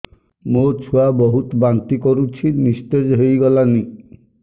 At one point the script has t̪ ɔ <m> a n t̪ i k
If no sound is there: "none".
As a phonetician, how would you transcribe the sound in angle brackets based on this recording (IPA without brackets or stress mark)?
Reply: b